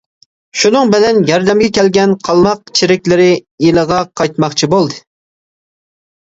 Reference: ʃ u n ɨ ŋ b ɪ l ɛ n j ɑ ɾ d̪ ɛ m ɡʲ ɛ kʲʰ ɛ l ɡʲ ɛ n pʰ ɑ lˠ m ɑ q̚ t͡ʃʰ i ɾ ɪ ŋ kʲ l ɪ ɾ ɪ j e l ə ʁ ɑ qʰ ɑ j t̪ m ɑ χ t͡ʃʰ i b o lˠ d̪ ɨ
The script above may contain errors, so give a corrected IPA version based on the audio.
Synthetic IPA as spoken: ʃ u n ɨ ŋ b ɪ l ɛ n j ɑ ɾ d̪ ɛ m ɡʲ ɛ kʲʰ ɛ l ɡʲ ɛ n qʰ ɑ lˠ m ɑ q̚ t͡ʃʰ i ɾ ɪ kʲ l ɪ ɾ ɪ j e l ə ʁ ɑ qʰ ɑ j t̪ m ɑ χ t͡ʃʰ i b o lˠ d̪ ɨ